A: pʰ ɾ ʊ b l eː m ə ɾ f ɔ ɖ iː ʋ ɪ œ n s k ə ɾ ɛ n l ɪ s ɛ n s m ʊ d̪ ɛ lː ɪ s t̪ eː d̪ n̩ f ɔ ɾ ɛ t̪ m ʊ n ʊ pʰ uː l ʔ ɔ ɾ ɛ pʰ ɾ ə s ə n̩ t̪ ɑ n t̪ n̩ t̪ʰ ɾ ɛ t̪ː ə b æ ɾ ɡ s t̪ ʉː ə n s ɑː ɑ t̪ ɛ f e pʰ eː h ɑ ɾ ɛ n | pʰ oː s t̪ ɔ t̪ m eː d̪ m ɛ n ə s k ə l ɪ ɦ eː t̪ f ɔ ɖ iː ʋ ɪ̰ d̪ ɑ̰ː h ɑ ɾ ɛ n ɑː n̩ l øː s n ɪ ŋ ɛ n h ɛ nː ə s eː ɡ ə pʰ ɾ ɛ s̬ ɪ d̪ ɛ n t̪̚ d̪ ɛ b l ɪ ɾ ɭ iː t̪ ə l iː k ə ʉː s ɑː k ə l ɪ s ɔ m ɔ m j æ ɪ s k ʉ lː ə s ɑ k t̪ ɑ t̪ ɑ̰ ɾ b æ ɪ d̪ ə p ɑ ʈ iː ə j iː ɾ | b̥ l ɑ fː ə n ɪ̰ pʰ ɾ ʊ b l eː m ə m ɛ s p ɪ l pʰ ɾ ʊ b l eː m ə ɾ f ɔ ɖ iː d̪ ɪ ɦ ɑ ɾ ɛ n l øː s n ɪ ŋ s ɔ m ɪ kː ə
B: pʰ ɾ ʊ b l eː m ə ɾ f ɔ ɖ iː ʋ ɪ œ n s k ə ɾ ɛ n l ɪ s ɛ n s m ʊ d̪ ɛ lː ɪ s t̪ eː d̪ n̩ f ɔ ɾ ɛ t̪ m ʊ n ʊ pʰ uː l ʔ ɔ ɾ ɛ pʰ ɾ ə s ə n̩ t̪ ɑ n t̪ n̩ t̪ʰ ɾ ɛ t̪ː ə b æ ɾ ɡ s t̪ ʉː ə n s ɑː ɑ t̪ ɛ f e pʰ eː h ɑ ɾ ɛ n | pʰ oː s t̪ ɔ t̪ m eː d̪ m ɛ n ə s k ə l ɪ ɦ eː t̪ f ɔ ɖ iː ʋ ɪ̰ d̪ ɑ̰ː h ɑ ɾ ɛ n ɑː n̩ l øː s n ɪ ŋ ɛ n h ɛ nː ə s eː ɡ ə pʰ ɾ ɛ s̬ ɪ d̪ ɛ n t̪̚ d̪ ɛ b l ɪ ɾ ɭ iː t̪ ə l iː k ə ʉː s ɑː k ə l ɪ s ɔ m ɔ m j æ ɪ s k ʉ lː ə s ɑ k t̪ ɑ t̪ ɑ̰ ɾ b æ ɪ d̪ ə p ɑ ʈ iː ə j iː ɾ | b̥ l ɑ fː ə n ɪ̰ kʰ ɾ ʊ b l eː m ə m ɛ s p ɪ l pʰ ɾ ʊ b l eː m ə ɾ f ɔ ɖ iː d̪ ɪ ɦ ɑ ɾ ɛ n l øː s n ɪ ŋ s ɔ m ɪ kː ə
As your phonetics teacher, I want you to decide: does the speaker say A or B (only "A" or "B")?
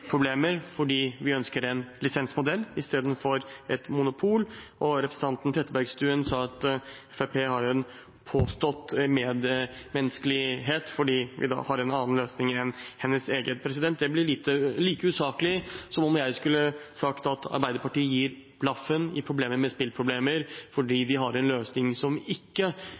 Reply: A